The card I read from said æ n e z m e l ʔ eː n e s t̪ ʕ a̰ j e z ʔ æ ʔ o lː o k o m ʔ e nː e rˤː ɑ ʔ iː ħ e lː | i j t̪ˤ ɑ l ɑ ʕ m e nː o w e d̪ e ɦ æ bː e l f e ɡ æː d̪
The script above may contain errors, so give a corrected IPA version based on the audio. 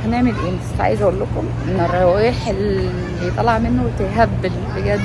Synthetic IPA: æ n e ʕ m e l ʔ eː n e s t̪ ʕ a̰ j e z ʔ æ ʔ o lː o k o m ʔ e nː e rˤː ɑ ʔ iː ħ e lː | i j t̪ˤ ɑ l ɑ ʕ m e nː o w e t̪ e ɦ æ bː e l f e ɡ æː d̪